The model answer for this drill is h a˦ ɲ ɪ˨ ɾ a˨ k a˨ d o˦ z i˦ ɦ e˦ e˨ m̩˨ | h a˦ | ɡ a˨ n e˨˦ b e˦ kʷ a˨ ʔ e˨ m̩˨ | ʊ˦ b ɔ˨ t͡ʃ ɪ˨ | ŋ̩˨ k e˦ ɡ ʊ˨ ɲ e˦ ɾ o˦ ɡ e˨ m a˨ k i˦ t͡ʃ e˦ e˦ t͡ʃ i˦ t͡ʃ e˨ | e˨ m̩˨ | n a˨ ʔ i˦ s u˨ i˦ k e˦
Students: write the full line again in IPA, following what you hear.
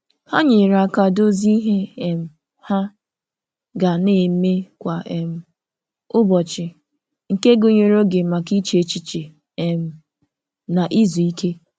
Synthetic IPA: h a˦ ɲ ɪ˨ ɾ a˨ k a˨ d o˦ z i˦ ɦ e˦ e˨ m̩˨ | h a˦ | ɡ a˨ n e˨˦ m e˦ kʷ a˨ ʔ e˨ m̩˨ | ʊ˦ b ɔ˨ t͡ʃ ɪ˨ | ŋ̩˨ k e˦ ɡ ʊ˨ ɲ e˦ ɾ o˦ ɡ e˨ m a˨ k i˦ t͡ʃ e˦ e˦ t͡ʃ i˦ t͡ʃ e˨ | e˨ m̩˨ | n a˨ ʔ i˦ z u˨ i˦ k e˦